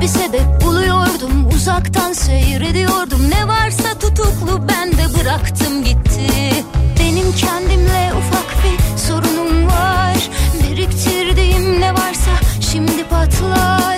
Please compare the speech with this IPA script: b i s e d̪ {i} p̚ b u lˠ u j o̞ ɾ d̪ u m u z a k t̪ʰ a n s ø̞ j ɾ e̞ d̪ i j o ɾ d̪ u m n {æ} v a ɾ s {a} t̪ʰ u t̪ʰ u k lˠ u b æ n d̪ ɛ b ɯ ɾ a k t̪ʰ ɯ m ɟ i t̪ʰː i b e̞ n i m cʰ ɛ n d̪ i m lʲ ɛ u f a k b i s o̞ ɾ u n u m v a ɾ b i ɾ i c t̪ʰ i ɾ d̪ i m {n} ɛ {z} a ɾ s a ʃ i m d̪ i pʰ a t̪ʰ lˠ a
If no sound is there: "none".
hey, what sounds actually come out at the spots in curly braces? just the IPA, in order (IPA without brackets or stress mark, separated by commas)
ɛ, ɛ, a, n, v